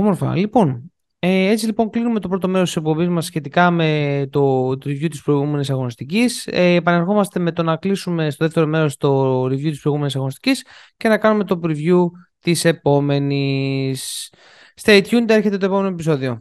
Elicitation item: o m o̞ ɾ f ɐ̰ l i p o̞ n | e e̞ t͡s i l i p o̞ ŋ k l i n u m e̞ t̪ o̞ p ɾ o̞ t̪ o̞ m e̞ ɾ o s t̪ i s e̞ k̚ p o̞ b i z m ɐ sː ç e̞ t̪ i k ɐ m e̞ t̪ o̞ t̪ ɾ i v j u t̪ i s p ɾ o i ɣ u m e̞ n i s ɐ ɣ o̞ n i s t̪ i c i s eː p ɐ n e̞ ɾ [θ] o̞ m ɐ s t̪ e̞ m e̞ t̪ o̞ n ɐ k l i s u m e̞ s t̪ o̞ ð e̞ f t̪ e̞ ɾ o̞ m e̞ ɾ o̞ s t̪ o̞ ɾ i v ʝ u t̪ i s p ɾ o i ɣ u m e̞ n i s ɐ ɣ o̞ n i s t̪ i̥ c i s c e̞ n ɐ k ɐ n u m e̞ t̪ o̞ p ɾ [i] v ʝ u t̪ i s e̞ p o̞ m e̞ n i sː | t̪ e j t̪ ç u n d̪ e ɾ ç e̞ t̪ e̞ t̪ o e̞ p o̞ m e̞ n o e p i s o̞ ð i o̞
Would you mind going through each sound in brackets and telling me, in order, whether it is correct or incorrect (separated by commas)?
incorrect, correct